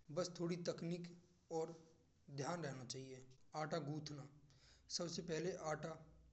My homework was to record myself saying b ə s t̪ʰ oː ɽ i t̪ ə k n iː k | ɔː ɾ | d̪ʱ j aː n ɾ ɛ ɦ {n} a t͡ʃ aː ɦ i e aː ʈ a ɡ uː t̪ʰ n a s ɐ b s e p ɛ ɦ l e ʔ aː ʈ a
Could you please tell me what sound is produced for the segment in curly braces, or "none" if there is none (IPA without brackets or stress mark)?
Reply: n